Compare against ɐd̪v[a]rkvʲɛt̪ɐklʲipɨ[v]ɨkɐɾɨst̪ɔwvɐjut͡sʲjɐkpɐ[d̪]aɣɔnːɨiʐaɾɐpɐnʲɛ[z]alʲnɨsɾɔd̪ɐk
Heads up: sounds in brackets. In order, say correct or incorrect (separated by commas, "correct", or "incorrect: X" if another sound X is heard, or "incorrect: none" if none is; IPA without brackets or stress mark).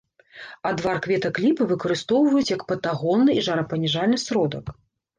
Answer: correct, correct, incorrect: t̪, incorrect: ʐ